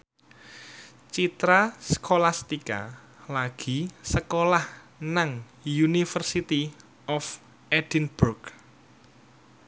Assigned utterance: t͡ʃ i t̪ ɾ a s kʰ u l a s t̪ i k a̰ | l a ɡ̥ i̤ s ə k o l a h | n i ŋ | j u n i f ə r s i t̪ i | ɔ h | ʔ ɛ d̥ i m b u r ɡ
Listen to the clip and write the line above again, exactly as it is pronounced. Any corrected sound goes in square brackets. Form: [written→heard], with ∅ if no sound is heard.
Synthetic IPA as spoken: t͡ʃ i t̪ ɾ a s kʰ [u→o] l a s t̪ i k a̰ | l a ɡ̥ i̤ s ə k o l a h | n [i→a] ŋ | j u n i f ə r s i t̪ i | ɔ [h→f] | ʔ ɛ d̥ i [m→n] b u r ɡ

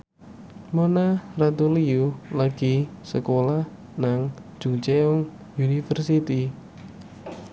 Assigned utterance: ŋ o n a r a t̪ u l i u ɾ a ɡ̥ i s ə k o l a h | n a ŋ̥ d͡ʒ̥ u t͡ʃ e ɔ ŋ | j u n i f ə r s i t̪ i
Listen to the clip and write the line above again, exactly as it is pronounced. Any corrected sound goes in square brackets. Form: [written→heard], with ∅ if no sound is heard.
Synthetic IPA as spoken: [ŋ→m] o n a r a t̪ u l i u [ɾ→l] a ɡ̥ i s ə k o l a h | n a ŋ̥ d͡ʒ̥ u t͡ʃ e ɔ ŋ | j u n i f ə r s i t̪ i

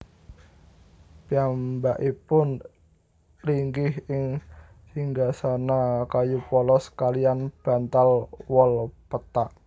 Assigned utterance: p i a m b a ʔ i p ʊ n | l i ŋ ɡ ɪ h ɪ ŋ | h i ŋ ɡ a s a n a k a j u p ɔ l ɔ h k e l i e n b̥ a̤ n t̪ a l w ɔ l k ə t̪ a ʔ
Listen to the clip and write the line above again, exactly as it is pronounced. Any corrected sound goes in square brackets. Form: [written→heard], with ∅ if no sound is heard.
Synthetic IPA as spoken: p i a m b a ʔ i p ʊ n | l i ŋ ɡ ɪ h ɪ ŋ | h i ŋ ɡ a s a n a k a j u p ɔ l ɔ [h→s] k [e→a] l i [e→a] n b̥ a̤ n t̪ a l w ɔ l [k→p] ə t̪ a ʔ

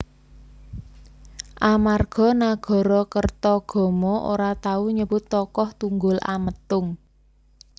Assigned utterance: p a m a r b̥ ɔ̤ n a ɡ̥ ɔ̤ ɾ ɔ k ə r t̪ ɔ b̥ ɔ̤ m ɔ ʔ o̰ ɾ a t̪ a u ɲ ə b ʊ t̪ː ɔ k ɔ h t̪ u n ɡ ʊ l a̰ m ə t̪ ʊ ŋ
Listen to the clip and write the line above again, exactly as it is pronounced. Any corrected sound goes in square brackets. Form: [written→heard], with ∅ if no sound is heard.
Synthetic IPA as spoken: [p→ʔ] a m a r [b̥→ɡ̥] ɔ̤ n a ɡ̥ ɔ̤ ɾ ɔ k ə r t̪ ɔ [b̥→ɡ̥] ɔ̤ m ɔ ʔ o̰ ɾ a t̪ a u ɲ ə b ʊ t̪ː ɔ k ɔ h t̪ u [n→ŋ] ɡ ʊ l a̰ m ə t̪ ʊ ŋ

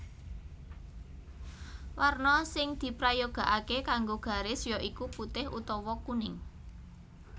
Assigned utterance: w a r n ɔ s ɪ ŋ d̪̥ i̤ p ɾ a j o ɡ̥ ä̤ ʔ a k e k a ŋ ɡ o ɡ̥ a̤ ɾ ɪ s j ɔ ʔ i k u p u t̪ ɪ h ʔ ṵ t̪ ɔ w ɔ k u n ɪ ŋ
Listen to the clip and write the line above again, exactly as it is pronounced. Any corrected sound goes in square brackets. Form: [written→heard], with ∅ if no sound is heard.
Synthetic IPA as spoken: w a r n ɔ s ɪ ŋ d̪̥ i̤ p ɾ a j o ɡ̥ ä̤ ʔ a k e k a ŋ ɡ o ɡ̥ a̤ ɾ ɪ s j ɔ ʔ i k u p u t̪ ɪ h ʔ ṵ t̪ ɔ w ɔ k u n ɪ ŋ

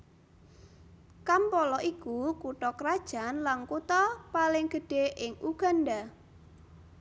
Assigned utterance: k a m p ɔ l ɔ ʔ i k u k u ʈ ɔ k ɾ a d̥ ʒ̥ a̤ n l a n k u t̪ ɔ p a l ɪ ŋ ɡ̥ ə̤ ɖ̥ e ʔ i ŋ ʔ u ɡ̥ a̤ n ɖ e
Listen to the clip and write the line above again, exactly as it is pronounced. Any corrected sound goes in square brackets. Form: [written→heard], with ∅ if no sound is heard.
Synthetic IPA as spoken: k a m p ɔ l ɔ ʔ i k u k u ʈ ɔ k ɾ a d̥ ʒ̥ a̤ n l a n k u t̪ ɔ p a l ɪ ŋ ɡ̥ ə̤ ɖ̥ e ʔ [i→ɪ] ŋ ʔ u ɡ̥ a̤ n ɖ [e→a]

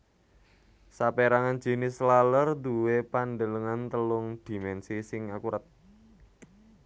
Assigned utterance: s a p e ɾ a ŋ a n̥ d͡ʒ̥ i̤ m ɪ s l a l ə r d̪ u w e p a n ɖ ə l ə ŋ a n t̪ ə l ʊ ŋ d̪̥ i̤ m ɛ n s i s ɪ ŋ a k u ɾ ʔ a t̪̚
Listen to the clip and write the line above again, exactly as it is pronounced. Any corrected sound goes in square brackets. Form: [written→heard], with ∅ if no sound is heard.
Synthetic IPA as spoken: s a p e ɾ a ŋ a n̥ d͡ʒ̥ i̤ [m→n] ɪ s l a l ə r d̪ u w e p a n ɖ ə l ə ŋ a n t̪ ə l ʊ ŋ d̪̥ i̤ m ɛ n s i s ɪ ŋ a k u ɾ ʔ a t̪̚

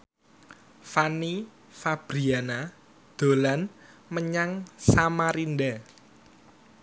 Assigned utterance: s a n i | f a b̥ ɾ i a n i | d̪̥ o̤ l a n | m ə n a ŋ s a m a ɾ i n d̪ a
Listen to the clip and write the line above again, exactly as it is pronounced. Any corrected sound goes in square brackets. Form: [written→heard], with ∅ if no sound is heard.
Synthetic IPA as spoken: [s→f] a n i | f a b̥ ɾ i a n [i→a] | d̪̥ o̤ l a n | m ə [n→ɲ] a ŋ s a m a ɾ i n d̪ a

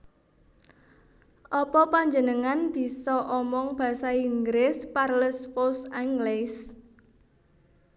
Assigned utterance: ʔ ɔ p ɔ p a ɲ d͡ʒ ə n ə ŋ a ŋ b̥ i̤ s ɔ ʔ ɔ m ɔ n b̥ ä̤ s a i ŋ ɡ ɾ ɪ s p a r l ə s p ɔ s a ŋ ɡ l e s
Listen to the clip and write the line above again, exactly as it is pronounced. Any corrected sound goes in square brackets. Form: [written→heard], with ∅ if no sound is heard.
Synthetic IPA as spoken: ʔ ɔ p ɔ p a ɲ d͡ʒ ə n ə ŋ a [ŋ→n] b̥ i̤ s ɔ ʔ ɔ m ɔ [n→ŋ] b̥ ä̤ s a i ŋ ɡ ɾ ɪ s p a r l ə s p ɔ s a ŋ ɡ l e s

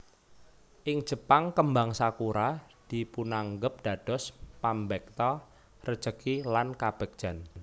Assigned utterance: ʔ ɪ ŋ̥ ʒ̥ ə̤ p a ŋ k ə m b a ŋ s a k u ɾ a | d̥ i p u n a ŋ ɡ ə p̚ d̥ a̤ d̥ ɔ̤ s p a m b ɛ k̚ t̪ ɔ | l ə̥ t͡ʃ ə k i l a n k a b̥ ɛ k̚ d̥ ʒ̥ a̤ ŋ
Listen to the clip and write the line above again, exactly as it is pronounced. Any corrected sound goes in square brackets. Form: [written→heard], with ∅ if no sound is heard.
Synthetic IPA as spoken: ʔ ɪ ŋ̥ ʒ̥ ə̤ p a ŋ k ə m b a ŋ s a k u ɾ a | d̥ i p u n a ŋ ɡ ə p̚ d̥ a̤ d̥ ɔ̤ s p a m b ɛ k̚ t̪ ɔ | [l→r] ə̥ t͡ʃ ə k i l a n k a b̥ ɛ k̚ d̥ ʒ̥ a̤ [ŋ→n]

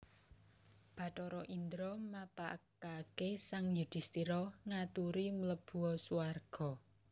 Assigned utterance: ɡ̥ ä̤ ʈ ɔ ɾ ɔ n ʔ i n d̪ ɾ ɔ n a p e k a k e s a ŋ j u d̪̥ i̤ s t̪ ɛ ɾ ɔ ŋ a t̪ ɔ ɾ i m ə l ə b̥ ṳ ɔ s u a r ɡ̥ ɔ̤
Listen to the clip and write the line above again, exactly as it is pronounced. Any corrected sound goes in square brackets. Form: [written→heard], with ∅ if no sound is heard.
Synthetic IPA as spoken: [ɡ̥→b̥] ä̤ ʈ ɔ ɾ ɔ [n→∅] ʔ i n d̪ ɾ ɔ [n→m] a p [e→a] k a k e s a ŋ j u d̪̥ i̤ s t̪ [ɛ→i] ɾ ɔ ŋ a t̪ [ɔ→u] ɾ i m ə l ə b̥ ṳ ɔ s u a r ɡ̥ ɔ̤

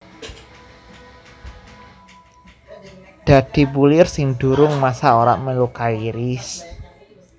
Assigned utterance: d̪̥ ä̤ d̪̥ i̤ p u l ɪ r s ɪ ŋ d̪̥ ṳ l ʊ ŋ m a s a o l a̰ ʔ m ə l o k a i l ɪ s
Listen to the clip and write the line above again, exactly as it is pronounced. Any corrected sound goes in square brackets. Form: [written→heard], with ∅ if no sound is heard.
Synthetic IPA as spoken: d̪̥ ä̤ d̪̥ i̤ p u l ɪ r s ɪ ŋ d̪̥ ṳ [l→ɾ] ʊ ŋ m a s a o [l→ɾ] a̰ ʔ m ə l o k a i [l→ɾ] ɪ s

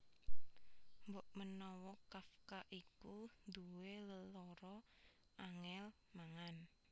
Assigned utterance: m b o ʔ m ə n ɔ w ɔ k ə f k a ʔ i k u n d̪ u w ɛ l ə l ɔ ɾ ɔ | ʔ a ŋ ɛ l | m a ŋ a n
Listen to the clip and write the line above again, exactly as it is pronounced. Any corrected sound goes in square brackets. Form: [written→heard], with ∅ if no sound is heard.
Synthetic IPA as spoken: m b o ʔ m ə n ɔ w ɔ k [ə→a] f k a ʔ i k u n d̪ u w [ɛ→e] l ə l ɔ ɾ ɔ | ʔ a ŋ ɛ l | m a ŋ a n

